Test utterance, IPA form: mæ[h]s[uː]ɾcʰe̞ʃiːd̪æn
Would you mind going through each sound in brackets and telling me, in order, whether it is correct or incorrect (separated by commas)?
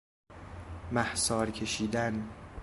correct, incorrect